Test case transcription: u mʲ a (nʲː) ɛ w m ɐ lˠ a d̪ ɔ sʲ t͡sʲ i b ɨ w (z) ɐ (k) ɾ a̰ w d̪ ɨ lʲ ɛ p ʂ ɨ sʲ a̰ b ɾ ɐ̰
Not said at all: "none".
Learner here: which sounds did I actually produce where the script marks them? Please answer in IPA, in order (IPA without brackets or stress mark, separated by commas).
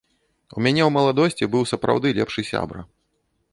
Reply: nʲ, s, p